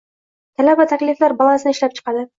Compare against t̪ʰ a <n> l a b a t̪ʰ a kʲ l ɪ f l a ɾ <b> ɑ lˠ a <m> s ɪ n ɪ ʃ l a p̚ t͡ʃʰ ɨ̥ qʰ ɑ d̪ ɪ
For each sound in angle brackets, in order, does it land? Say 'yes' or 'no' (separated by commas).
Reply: no, yes, no